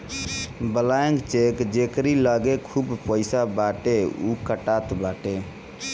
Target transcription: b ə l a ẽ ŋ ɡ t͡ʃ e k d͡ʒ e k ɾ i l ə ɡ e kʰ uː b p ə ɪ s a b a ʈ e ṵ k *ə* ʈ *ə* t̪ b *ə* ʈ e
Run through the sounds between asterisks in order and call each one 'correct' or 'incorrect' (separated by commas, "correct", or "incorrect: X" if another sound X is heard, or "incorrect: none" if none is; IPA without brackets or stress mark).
correct, incorrect: a, incorrect: a